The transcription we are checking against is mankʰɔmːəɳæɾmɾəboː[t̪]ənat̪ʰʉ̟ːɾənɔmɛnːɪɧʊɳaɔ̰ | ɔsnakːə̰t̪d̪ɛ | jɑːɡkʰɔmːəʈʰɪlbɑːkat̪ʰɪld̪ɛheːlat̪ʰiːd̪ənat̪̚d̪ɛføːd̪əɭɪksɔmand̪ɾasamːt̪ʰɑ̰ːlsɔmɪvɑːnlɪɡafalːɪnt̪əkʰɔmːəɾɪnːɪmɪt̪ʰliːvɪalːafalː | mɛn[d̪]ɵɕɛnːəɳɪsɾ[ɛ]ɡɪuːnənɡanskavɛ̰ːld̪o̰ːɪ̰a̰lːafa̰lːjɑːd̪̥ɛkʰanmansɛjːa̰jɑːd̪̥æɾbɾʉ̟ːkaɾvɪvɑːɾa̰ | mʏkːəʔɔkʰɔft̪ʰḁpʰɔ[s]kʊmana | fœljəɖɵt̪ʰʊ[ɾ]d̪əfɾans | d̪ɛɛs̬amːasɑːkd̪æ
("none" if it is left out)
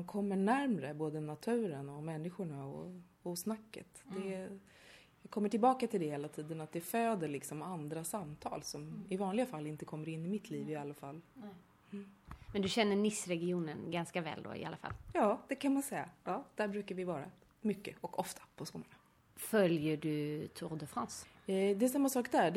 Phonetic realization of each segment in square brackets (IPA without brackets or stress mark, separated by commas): d̪, d̪, ɛ, s, ɾ